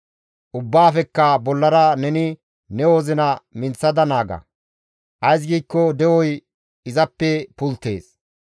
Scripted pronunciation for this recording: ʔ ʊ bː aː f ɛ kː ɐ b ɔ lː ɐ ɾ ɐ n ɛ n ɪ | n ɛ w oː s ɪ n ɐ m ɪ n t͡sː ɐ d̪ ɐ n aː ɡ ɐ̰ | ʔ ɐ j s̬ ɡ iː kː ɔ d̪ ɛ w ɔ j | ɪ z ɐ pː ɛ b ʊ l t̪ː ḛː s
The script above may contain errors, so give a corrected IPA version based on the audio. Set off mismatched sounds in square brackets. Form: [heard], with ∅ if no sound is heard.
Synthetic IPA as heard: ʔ ʊ bː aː f ɛ kː ɐ b ɔ lː ɐ ɾ ɐ n ɛ n ɪ | n ɛ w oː [z] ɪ n ɐ m ɪ n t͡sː ɐ d̪ ɐ n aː ɡ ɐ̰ | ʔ ɐ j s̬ ɡ iː kː ɔ d̪ ɛ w ɔ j | ɪ z ɐ pː ɛ [p] ʊ l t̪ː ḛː s